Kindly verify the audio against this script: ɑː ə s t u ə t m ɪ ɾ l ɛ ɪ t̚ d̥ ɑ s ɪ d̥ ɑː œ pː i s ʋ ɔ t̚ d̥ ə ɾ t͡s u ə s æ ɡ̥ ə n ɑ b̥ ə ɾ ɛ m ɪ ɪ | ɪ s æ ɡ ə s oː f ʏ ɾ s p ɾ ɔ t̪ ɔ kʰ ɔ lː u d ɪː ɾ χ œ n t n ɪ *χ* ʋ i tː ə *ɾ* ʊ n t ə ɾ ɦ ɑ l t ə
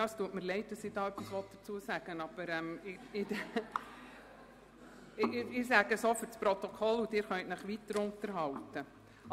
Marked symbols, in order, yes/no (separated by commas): yes, yes